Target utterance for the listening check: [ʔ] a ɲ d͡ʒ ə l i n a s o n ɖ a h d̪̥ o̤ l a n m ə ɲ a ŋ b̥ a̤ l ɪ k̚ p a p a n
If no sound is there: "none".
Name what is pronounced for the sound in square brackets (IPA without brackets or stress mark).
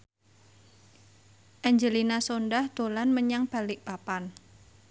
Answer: ʔ